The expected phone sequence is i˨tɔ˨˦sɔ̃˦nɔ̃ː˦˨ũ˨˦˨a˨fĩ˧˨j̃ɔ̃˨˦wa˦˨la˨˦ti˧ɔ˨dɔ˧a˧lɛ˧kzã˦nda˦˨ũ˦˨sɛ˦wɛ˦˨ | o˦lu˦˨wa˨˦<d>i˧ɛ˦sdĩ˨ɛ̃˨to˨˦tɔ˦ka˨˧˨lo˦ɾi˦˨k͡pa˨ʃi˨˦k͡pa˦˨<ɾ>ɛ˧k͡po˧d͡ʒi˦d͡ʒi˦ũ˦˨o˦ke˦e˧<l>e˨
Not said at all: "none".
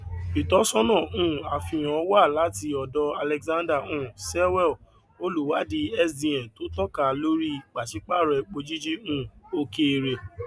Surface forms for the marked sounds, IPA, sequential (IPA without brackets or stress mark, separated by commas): d, ɾ, ɾ